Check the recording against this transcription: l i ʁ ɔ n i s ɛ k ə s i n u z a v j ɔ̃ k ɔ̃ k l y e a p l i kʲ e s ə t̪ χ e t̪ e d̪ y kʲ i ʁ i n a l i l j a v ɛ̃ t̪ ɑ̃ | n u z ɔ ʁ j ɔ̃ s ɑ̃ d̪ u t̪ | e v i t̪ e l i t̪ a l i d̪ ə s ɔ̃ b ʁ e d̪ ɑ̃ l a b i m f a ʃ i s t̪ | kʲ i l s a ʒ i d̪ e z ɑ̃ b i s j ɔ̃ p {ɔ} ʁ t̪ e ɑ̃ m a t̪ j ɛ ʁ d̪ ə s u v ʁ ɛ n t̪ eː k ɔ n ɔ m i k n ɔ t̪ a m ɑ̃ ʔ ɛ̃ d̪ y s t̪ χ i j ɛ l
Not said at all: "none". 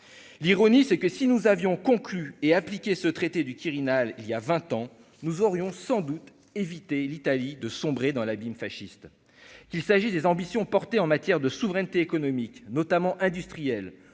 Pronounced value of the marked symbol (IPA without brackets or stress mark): ɔ